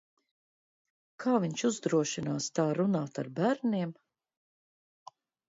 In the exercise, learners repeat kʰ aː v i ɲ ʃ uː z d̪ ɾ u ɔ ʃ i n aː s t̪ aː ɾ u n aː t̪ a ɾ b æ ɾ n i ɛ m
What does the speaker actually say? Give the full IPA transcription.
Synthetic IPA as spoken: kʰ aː v i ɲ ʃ u z d̪ ɾ u ɔ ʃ i n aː s t̪ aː ɾ u n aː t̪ a ɾ b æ ɾ n i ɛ m